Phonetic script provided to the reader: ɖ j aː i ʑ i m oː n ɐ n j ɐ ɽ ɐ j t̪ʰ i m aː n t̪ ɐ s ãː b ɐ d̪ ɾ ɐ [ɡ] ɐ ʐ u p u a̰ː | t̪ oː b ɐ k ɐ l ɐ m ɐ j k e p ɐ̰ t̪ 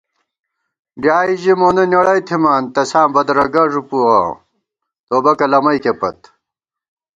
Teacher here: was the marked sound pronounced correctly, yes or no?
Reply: yes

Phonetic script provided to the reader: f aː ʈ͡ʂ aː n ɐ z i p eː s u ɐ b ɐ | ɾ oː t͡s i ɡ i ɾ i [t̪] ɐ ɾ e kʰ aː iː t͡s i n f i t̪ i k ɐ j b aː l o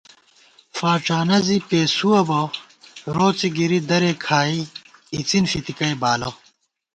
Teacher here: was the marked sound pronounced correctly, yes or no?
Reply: no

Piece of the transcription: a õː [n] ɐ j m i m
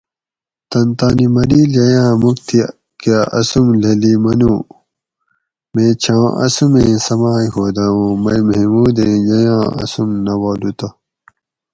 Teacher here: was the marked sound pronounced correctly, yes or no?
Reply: no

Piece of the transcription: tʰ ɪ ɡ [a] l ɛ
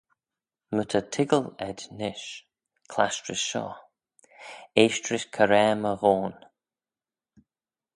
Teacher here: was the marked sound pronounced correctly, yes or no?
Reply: no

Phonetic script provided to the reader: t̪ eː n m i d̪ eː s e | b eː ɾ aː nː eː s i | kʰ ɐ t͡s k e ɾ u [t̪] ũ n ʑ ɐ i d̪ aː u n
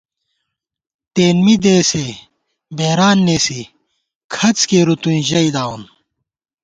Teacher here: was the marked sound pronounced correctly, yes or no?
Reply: yes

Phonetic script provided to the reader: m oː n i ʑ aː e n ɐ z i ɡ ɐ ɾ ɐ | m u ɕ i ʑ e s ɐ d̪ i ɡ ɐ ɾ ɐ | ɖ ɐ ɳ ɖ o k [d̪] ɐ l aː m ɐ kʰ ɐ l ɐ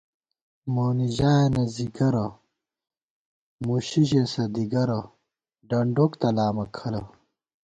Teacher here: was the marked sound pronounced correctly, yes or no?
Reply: no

